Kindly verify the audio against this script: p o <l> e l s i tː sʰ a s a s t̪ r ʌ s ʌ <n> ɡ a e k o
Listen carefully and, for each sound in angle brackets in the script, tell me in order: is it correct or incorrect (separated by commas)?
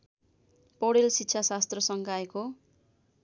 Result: incorrect, incorrect